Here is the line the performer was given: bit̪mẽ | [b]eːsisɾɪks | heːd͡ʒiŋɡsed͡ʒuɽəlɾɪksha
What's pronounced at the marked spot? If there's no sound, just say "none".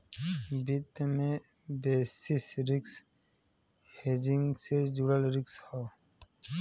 b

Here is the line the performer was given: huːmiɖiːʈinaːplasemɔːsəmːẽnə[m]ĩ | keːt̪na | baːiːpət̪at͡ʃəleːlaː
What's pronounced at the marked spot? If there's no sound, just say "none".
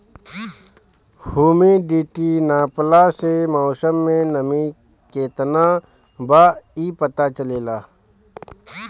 m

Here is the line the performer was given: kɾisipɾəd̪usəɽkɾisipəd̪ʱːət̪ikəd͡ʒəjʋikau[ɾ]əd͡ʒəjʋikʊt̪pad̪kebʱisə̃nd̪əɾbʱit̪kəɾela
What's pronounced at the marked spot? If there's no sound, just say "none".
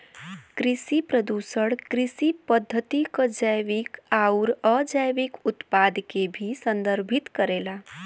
ɾ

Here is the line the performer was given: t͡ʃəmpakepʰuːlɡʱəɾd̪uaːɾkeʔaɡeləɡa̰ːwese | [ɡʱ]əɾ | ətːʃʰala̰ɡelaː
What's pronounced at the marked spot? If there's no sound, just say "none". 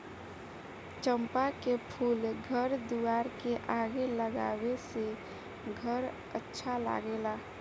ɡʱ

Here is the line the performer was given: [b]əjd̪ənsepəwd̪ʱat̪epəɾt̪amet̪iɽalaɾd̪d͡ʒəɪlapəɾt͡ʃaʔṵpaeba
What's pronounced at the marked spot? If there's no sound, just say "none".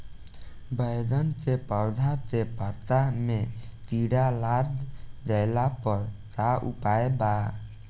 b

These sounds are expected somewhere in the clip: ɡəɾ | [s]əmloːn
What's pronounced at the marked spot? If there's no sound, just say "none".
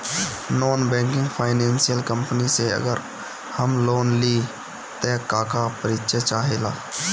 h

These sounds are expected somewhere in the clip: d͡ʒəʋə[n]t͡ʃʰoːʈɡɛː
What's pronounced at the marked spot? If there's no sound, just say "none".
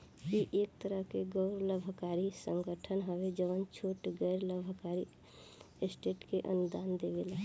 n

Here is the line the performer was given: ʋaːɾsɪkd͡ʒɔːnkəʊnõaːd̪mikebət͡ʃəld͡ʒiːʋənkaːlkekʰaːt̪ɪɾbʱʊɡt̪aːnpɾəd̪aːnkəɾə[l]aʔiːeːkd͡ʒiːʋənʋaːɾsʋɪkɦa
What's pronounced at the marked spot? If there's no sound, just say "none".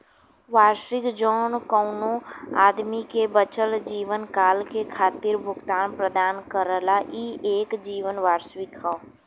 l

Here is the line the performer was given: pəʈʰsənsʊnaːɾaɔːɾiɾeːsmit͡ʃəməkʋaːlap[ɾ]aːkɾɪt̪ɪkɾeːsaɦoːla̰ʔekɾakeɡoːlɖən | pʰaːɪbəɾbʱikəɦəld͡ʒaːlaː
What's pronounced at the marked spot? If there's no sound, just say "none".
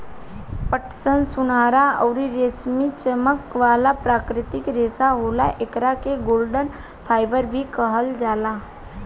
ɾ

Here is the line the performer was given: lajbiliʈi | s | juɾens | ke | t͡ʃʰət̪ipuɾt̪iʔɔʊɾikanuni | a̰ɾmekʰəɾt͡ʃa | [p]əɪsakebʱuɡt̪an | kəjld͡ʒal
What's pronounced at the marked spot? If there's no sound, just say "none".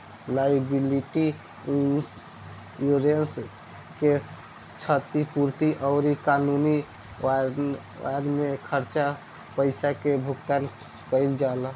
p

